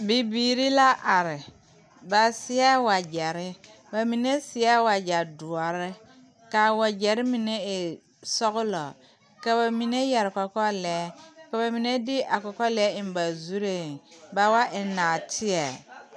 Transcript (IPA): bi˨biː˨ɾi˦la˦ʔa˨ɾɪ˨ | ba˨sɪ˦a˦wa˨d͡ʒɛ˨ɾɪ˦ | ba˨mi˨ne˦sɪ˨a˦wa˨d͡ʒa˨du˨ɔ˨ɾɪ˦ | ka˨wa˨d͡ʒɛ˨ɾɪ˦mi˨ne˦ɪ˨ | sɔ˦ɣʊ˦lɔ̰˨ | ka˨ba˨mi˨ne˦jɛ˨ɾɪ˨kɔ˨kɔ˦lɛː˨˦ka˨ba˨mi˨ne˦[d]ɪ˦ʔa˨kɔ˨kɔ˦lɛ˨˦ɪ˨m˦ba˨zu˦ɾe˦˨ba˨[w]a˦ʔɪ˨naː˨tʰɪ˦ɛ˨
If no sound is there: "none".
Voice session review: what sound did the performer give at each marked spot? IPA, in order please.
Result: d, w

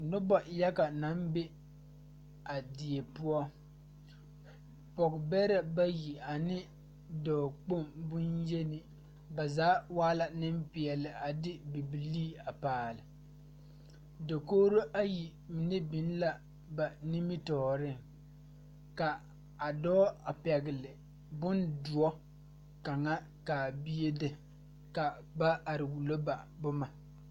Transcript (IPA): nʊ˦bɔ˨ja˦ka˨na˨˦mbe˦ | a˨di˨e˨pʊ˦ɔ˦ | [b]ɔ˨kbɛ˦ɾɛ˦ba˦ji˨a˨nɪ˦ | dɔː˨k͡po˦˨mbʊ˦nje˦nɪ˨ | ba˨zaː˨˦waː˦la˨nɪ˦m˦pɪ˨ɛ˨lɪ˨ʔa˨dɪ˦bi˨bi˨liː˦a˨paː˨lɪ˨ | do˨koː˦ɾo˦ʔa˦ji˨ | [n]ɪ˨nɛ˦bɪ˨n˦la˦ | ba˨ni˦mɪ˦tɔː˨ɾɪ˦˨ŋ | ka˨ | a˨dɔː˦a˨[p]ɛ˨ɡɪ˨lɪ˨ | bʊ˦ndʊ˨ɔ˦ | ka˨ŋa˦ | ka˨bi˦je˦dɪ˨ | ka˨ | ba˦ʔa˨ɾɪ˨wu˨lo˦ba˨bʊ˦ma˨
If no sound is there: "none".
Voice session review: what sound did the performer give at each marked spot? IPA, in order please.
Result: p, m, p

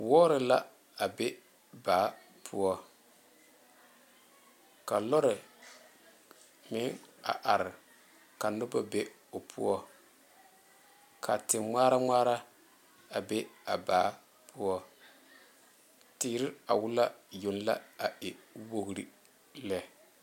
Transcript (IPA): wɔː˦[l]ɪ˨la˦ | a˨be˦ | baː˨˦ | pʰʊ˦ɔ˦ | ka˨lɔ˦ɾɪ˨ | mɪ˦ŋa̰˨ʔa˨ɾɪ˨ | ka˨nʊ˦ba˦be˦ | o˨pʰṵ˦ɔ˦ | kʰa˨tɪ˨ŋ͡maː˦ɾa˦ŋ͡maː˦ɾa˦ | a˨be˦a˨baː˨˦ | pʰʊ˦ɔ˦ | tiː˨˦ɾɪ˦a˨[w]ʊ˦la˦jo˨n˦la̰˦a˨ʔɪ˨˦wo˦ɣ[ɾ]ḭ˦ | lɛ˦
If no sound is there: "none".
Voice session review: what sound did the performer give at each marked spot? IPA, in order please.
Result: ɾ, w, ɾ

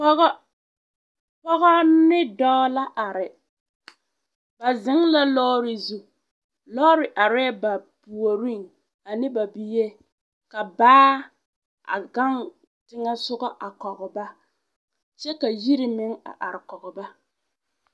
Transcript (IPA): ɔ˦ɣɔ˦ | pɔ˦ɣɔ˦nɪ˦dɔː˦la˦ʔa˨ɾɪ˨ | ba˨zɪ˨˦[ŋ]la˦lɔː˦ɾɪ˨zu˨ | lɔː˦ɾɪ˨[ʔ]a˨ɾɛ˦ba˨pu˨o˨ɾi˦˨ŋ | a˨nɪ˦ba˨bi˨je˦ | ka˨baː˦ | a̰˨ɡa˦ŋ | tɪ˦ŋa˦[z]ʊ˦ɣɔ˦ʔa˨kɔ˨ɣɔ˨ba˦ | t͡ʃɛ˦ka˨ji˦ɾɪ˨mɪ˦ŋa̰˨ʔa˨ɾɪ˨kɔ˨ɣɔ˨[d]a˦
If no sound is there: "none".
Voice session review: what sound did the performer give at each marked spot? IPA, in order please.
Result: ŋ, ʔ, s, b

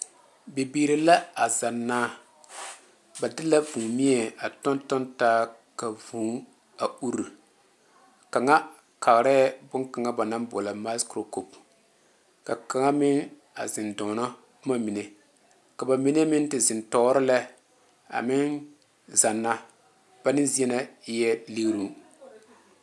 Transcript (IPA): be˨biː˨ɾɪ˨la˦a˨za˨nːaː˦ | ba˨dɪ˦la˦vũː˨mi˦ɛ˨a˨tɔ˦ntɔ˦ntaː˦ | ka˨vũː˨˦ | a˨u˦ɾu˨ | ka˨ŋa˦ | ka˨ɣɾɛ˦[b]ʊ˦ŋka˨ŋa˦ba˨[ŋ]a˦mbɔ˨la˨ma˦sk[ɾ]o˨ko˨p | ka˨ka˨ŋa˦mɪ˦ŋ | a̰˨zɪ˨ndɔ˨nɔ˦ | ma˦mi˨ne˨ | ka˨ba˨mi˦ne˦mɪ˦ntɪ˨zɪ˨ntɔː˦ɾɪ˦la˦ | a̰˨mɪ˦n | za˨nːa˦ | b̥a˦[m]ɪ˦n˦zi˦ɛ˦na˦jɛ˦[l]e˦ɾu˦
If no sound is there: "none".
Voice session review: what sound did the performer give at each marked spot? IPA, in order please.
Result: b, n, ɾ, n, l

